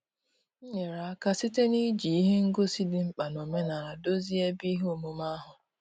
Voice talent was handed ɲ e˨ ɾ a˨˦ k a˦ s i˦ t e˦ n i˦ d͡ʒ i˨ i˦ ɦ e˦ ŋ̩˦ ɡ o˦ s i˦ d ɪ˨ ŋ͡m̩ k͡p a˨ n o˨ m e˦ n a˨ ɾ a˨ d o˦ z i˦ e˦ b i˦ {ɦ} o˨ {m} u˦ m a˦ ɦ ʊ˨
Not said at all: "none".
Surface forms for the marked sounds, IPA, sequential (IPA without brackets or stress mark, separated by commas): ɦ, m